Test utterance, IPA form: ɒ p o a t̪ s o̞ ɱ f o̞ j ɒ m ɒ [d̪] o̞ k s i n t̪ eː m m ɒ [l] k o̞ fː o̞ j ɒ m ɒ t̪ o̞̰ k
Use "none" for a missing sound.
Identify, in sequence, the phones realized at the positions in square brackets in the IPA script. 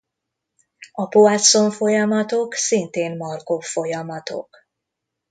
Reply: t̪, r

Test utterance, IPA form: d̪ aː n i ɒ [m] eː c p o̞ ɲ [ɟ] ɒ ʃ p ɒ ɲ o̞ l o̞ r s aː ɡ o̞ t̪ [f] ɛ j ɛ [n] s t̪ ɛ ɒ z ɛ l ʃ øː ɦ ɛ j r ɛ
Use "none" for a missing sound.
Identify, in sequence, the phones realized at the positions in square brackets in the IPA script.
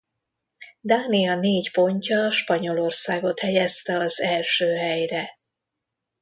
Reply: n, c, h, none

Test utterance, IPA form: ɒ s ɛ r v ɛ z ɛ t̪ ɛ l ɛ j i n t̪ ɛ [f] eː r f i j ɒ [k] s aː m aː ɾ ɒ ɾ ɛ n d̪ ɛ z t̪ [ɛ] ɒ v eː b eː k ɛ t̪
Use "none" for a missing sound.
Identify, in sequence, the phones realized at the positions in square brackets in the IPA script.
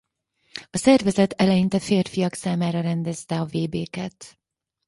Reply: f, k, ɛ

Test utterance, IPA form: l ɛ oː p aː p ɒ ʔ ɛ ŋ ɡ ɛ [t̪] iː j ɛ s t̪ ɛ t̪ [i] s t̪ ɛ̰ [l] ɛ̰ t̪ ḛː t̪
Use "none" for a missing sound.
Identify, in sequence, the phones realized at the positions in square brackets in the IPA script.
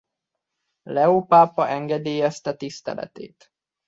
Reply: d̪, i, l

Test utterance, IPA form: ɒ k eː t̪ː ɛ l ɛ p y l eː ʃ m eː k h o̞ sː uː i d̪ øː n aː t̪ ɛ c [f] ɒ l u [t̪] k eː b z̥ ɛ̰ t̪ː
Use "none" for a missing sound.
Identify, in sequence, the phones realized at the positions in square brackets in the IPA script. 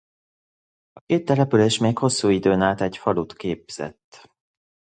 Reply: f, t̪

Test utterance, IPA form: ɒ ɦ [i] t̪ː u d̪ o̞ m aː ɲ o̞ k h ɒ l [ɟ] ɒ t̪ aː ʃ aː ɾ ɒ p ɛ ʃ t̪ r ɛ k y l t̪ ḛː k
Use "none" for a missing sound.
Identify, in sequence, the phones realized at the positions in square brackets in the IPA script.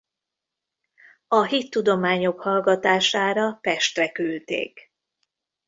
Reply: i, ɡ

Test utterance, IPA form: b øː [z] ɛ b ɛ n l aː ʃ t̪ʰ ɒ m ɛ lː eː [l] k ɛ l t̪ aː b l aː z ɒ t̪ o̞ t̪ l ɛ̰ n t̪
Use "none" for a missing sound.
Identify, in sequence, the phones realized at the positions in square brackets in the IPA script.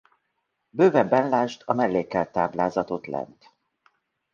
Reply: v, none

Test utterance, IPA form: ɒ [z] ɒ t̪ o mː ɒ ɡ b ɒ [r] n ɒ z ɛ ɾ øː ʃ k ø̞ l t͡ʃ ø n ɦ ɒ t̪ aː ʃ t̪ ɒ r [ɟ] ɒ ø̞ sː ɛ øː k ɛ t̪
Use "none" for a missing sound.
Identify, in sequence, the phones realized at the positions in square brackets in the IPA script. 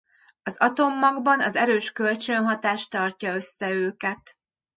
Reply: z, none, c

